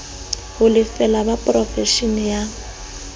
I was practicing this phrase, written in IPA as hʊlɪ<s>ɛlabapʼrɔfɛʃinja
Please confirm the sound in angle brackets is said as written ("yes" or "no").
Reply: no